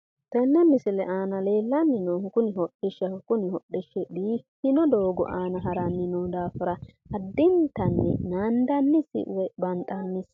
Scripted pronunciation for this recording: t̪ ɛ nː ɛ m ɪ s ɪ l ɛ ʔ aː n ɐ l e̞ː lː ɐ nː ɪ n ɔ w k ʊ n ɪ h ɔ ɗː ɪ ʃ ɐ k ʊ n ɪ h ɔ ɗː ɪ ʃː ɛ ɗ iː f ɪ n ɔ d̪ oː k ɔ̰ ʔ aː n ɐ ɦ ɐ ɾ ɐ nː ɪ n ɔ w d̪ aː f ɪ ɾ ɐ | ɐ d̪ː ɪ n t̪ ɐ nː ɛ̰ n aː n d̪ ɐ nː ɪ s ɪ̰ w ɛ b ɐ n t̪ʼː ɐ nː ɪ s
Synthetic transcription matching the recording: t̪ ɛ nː ɛ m ɪ s ɪ l ɛ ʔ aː n ɐ l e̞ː lː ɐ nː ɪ n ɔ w k ʊ n ɪ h ɔ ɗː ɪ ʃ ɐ k ʊ n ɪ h ɔ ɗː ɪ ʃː ɛ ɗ iː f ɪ n ɔ d̪ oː ɡ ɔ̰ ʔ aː n ɐ ɦ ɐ ɾ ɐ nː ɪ n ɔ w d̪ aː f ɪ ɾ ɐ | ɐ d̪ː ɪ n t̪ ɐ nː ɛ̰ n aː n d̪ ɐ nː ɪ s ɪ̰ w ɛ b ɐ n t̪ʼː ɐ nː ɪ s